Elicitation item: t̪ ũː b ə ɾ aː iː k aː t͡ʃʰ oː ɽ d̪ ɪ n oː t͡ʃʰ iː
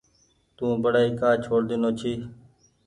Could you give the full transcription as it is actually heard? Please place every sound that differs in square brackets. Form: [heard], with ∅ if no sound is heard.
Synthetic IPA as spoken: t̪ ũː b ə [ɽ] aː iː k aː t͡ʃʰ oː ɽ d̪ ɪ n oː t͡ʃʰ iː